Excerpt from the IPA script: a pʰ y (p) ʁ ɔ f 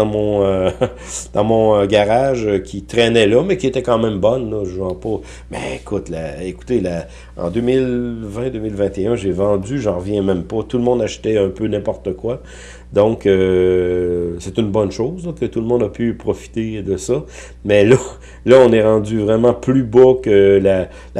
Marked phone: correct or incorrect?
correct